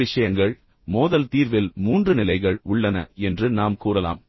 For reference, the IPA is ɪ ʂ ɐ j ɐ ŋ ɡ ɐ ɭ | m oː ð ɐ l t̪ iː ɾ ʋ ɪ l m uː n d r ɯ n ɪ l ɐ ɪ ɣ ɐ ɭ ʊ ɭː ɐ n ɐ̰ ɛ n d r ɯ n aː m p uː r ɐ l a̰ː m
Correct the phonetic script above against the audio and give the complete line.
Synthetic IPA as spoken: ɪ ʂ ɐ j ɐ ŋ ɡ ɐ ɭ | m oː ð ɐ l t̪ iː ɾ ʋ ɪ l m uː n d r ɯ n ɪ l ɐ ɪ ɣ ɐ ɭ ʊ ɭː ɐ n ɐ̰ ɛ n d r ɯ n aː m k uː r ɐ l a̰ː m